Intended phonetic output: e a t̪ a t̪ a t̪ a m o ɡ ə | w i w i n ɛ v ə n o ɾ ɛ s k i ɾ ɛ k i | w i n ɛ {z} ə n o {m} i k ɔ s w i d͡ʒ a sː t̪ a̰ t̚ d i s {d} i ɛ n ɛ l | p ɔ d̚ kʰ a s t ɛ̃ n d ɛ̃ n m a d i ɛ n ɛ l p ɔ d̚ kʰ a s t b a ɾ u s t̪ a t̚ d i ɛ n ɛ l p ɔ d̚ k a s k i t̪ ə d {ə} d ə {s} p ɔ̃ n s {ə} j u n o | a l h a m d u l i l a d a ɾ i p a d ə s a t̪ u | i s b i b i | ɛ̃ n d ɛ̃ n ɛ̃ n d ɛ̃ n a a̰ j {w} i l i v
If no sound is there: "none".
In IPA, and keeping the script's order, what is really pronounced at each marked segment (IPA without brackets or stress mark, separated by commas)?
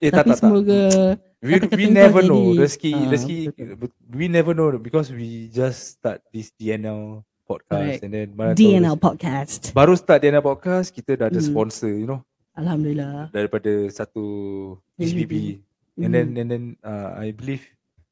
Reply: v, b, d, a, s, ə, b